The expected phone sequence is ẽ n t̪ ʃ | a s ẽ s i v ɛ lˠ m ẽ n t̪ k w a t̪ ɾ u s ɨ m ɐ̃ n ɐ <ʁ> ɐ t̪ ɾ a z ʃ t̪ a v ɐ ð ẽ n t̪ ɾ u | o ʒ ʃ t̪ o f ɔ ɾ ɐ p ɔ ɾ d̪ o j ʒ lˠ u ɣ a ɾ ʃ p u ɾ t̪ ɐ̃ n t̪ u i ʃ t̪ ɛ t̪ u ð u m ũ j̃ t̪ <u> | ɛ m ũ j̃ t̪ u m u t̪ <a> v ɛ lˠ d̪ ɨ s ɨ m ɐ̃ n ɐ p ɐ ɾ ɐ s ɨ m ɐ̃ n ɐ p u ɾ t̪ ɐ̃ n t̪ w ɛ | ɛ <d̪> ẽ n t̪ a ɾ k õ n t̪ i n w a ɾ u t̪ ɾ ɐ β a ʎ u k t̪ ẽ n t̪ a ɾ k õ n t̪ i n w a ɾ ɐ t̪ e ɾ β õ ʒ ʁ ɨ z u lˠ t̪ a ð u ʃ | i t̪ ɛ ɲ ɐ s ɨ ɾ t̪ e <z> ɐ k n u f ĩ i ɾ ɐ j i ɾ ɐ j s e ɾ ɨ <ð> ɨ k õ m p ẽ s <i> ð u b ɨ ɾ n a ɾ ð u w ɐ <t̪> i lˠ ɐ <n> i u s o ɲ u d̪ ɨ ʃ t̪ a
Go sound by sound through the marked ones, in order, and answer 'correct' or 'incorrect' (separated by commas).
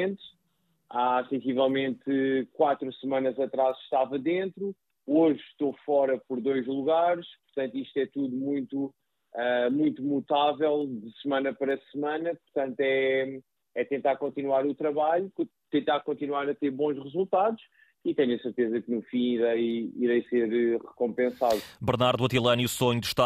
incorrect, correct, correct, incorrect, correct, incorrect, incorrect, correct, correct